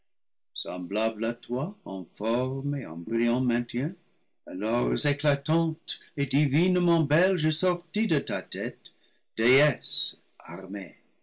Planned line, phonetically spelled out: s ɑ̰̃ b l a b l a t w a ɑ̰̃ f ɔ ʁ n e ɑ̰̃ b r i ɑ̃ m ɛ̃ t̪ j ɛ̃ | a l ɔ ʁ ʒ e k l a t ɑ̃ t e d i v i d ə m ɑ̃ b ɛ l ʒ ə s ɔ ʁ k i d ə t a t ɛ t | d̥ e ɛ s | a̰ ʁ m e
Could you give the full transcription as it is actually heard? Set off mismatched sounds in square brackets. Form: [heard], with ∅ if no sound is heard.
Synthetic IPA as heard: s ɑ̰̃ b l a b l a t w a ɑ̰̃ f ɔ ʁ [m] e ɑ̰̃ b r i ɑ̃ m ɛ̃ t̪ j ɛ̃ | a l ɔ ʁ [z] e k l a t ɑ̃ t e d i v i [n] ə m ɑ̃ b ɛ l ʒ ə s ɔ ʁ [t] i d ə t a t ɛ t | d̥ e ɛ s | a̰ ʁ m e

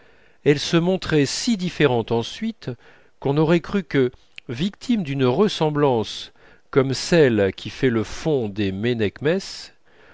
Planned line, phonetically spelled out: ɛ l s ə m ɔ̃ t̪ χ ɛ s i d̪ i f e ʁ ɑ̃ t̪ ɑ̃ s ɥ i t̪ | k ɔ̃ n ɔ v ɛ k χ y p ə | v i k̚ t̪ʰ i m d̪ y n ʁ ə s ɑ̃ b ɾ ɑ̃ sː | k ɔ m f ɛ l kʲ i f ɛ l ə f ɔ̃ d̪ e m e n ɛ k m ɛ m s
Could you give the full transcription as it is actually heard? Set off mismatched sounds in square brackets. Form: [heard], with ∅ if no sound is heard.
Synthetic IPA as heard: ɛ l s ə m ɔ̃ t̪ χ ɛ s i d̪ i f e ʁ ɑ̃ t̪ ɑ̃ s ɥ i t̪ | k ɔ̃ n ɔ [ʁ] ɛ k χ y [k] ə | v i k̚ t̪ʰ i m d̪ y n ʁ ə s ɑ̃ b [l] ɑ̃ [s] | k ɔ m [s] ɛ l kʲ i f ɛ l ə f ɔ̃ d̪ e m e n ɛ k m ɛ [∅] s

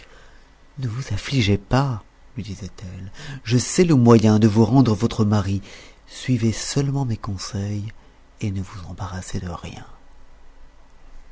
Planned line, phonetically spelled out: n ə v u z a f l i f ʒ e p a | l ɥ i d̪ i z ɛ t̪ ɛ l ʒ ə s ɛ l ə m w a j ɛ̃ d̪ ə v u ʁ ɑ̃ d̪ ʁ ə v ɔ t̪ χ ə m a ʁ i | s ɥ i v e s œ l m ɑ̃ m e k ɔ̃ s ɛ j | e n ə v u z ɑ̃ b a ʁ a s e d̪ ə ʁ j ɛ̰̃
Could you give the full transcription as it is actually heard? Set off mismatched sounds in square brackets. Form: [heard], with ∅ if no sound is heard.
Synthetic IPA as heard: n ə v u z a f l i [∅] ʒ e p a | l ɥ i d̪ i z ɛ t̪ ɛ l ʒ ə s ɛ l ə m w a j ɛ̃ d̪ ə v u ʁ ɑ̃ d̪ ʁ ə v ɔ t̪ χ ə m a ʁ i | s ɥ i v e s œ l m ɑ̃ m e k ɔ̃ s ɛ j | e n ə v u z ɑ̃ b a ʁ a s e d̪ ə ʁ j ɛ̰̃

